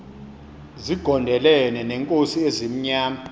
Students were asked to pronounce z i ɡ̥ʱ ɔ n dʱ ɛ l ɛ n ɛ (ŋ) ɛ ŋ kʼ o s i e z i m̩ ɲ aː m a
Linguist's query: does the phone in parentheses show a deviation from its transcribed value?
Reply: yes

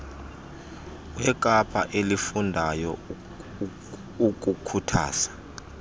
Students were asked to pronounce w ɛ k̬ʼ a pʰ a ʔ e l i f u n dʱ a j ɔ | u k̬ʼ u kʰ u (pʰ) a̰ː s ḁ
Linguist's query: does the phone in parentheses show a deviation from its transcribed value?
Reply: yes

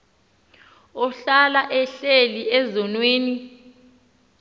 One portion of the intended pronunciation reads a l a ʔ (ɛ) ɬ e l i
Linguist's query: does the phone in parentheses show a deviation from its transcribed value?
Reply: no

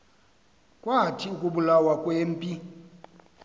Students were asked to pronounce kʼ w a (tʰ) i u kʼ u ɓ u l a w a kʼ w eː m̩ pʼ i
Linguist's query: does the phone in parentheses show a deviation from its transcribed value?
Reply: no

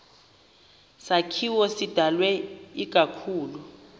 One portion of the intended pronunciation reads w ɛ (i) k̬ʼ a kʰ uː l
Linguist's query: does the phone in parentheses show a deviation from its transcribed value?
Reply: no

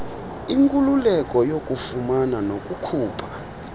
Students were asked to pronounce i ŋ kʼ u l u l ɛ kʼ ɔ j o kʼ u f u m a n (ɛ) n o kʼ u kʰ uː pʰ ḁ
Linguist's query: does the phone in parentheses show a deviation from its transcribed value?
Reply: yes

